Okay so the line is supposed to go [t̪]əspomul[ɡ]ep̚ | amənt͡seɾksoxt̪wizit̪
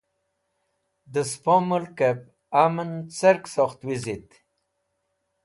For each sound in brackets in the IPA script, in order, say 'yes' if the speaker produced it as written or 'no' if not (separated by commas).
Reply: no, no